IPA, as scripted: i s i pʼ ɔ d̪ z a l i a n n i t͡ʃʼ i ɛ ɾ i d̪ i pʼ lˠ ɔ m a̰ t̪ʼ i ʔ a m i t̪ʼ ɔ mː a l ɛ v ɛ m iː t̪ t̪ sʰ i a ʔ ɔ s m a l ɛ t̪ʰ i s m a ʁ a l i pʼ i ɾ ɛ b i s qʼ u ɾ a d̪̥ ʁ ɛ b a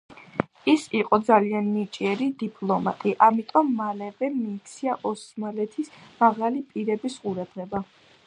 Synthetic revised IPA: i s i qʼ ɔ d̪ z a l i a n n i t͡ʃʼ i ɛ ɾ i d̪ i pʼ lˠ ɔ m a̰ t̪ʼ i ʔ a m i t̪ʼ ɔ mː a l ɛ v ɛ m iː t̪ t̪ sʰ i a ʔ ɔ s m a l ɛ t̪ʰ i s m a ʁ a l i pʼ i ɾ ɛ b i s qʼ u ɾ a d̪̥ ʁ ɛ b a